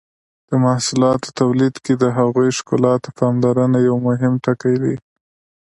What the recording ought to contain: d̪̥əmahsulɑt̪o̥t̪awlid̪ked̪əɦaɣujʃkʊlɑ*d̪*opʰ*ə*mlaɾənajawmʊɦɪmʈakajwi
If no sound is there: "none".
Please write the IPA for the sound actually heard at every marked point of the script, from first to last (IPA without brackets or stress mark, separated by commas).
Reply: t̪, ɑ